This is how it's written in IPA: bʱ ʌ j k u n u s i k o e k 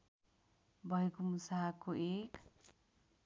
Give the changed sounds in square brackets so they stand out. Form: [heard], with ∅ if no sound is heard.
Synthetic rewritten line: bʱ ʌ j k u [m] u s [a] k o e k